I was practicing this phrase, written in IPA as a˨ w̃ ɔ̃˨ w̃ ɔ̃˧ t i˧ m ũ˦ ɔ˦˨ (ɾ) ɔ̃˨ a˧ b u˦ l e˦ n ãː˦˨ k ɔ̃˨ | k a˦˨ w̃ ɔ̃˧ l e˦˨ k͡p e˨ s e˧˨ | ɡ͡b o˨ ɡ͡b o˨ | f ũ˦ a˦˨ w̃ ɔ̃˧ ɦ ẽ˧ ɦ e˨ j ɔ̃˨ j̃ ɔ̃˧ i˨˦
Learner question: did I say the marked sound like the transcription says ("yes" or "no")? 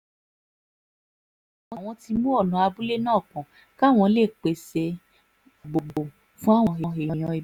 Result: no